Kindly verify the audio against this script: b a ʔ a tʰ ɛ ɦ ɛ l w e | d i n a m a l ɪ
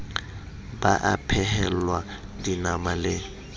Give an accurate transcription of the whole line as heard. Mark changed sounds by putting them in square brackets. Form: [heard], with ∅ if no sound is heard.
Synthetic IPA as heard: b a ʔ a [pʰ] ɛ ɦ ɛ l w [a] | d i n a m a l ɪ